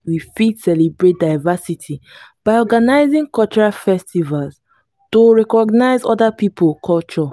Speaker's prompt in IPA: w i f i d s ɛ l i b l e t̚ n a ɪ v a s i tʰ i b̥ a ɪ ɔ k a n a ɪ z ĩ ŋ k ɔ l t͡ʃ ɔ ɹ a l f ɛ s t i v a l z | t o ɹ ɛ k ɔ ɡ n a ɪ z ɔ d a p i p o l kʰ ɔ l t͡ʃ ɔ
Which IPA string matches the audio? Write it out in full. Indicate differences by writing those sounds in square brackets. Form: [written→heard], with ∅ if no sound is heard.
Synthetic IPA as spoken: w i f i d s ɛ l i b [l→ɹ] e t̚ [n→d] a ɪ v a s i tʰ i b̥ a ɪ ɔ [k→ɡ] a n a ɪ z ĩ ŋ k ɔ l t͡ʃ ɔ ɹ a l f ɛ s t i v a l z | t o ɹ ɛ k ɔ ɡ n a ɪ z ɔ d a p i p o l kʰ ɔ l t͡ʃ ɔ